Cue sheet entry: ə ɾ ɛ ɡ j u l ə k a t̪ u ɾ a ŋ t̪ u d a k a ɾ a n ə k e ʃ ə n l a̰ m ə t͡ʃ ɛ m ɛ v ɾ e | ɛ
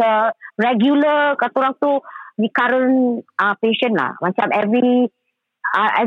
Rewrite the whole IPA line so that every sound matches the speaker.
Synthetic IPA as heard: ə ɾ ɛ ɡ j u l ə k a t̪ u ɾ a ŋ t̪ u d i k a ɾ ə n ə p e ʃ ə n l a̰ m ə t͡ʃ a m ɛ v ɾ i | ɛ